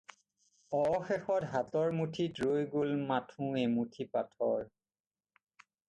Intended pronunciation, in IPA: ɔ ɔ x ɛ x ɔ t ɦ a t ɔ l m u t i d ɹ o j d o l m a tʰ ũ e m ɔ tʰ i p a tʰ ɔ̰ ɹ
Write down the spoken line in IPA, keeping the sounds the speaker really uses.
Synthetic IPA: ɔ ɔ x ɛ x ɔ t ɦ a t ɔ ɹ m u tʰ i d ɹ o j ɡ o l m a tʰ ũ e m u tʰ i p a tʰ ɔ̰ ɹ